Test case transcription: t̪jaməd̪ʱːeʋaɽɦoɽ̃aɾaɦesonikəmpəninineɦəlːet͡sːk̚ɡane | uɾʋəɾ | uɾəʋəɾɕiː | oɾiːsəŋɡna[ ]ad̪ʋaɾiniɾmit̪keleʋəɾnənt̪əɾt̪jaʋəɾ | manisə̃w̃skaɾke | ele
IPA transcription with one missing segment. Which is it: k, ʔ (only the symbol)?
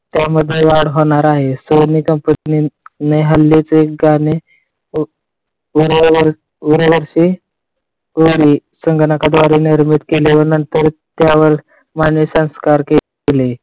k